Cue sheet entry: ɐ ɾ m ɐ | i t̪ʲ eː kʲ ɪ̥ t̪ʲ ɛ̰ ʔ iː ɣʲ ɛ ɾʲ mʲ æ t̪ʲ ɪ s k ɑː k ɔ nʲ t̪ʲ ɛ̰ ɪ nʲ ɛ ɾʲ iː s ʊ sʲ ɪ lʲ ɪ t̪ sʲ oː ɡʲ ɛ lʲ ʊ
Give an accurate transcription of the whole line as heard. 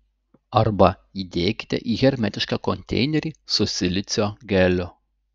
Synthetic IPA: ɐ ɾ b ɐ | i d̪ʲ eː kʲ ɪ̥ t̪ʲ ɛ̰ ʔ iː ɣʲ ɛ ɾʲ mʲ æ t̪ʲ ɪ ʃ k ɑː k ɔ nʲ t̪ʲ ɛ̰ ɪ nʲ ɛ ɾʲ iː s ʊ sʲ ɪ lʲ ɪ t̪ sʲ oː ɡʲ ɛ lʲ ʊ